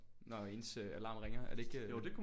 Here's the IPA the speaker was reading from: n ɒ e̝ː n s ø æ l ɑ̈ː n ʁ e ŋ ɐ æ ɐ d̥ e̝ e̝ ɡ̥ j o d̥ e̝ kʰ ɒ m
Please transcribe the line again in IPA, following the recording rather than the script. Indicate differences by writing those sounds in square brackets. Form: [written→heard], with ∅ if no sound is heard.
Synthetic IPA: n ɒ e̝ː n s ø æ l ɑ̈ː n ʁ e ŋ ɐ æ ɐ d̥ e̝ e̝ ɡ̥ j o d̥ e̝ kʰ [ɒ→u] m